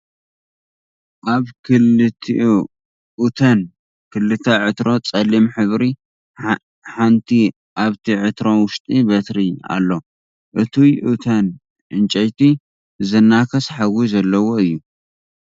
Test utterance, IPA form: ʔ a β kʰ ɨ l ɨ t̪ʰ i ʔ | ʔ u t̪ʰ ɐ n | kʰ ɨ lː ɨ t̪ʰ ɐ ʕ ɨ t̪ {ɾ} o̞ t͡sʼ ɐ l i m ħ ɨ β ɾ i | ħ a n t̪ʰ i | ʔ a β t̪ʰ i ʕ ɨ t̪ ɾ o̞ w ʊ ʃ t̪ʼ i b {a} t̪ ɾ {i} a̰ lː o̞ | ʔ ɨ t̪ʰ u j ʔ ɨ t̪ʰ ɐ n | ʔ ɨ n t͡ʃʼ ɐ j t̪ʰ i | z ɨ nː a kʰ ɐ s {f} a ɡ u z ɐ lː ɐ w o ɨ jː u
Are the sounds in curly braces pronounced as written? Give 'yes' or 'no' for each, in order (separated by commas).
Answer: yes, no, yes, no